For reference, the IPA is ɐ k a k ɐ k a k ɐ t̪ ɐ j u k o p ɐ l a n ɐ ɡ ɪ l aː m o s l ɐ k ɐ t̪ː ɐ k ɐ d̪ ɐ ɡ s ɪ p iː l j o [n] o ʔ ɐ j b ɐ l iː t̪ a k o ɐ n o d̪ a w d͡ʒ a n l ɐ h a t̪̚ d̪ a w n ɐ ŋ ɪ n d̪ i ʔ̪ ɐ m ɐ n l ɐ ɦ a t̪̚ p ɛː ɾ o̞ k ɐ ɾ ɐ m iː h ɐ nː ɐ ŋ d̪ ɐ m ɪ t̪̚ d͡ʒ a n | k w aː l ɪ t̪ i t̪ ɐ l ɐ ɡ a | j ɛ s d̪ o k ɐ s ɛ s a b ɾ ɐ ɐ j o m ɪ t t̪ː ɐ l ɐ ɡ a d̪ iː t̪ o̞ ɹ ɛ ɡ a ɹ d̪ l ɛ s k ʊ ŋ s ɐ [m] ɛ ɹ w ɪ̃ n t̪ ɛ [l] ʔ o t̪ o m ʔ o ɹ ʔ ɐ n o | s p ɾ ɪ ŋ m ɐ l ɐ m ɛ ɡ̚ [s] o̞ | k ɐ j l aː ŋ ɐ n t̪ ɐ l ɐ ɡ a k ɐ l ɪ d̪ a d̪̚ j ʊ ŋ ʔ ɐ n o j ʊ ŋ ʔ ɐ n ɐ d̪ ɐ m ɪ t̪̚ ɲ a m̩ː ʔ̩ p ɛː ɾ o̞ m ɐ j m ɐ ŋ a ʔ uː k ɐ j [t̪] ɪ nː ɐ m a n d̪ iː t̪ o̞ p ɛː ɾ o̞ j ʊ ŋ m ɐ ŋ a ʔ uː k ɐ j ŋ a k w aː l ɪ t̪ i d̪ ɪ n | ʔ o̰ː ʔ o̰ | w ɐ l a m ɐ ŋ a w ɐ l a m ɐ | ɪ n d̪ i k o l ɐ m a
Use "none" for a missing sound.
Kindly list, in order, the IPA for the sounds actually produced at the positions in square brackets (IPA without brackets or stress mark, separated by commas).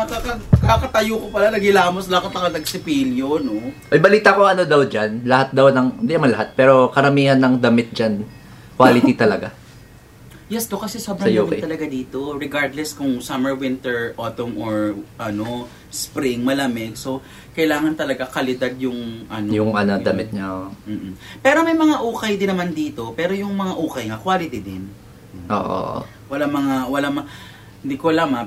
n, m, ɹ, s, d̪